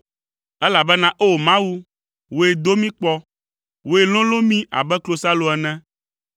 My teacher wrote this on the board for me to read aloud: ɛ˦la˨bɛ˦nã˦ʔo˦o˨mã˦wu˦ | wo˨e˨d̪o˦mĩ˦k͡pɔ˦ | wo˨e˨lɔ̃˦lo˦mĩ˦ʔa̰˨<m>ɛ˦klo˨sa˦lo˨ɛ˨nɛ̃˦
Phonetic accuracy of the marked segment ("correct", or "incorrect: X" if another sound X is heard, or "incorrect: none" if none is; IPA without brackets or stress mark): incorrect: b